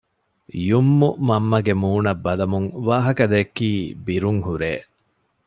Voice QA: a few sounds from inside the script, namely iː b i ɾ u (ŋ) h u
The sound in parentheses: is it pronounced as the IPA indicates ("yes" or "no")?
yes